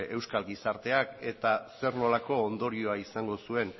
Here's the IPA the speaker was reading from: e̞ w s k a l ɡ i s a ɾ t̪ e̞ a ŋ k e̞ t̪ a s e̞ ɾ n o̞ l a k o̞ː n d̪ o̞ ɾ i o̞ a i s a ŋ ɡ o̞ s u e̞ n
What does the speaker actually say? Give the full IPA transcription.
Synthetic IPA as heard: e̞ w s k a l ɡ i s a ɾ t̪ e̞ a k e̞ t̪ a s e̞ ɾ n o̞ l a k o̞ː n d̪ o̞ ɾ i o̞ a i s a ŋ ɡ o̞ s u e̞ n